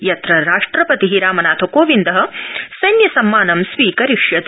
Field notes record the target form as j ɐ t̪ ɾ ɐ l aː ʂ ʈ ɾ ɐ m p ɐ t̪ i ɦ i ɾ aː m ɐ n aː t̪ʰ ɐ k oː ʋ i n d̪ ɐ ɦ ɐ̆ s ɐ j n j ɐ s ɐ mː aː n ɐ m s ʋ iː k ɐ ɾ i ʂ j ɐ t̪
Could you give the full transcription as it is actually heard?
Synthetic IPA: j ɐ t̪ ɾ ɐ ɾ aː ʂ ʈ ɾ ɐ p ɐ t̪ i ɦ i ɾ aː m ɐ n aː t̪ʰ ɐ k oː ʋ i n d̪ ɐ ɦ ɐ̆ s ɐ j n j ɐ s ɐ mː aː n ɐ m s ʋ iː k ɐ ɾ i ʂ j ɐ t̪